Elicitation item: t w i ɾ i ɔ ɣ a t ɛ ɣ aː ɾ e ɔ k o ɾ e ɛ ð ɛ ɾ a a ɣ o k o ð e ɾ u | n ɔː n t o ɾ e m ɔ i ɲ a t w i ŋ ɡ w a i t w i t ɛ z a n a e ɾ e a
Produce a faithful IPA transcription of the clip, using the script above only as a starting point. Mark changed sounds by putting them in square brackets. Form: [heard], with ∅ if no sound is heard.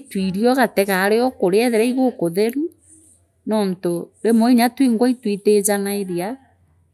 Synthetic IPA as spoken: t w i ɾ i ɔ ɣ a t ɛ ɣ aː ɾ e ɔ k o ɾ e ɛ ð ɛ ɾ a [i] ɣ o k o ð e ɾ u | n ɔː n t o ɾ e m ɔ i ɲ a t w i ŋ ɡ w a i t w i t [e] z a n a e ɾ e a